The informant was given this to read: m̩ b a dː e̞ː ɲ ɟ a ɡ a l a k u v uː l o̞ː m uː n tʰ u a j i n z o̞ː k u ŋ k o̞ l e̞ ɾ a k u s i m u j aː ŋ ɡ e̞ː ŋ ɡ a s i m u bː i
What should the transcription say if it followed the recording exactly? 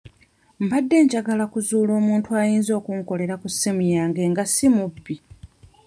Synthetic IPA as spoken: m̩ b a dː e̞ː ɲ ɟ a ɡ a l a k u z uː l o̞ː m uː n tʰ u a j iː n z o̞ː k u ŋ k o̞ l e̞ ɾ a k u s i m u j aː ŋ ɡ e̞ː ŋ ɡ a s i m u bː i